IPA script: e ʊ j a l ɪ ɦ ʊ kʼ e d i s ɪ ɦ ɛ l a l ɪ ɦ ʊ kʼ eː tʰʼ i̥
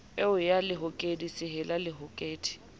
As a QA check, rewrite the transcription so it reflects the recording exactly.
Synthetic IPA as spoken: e ʊ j a l ɪ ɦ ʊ kʼ e d i s ɪ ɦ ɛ l a l ɪ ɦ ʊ kʼ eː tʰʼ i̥